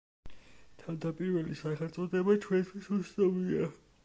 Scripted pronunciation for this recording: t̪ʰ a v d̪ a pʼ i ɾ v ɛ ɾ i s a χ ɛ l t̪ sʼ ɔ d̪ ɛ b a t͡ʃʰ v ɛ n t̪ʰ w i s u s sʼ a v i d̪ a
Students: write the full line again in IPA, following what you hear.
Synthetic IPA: t̪ʰ a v d̪ a pʼ i ɾ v ɛ l i s a χ ɛ l t̪ sʼ ɔ d̪ ɛ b a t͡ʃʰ w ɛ n t̪ʰ w i s u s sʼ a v i a